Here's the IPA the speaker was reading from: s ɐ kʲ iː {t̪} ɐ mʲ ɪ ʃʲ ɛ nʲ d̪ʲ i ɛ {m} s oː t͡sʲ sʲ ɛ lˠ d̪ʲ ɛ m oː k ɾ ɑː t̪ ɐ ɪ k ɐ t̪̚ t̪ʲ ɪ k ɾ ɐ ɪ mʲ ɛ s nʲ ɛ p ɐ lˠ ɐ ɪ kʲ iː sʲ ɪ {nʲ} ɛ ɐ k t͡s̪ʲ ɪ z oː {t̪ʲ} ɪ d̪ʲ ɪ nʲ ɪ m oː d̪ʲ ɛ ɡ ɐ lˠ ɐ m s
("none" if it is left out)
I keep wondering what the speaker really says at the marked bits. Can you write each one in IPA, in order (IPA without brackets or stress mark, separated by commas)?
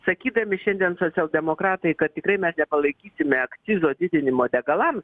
d̪, n, mʲ, d̪ʲ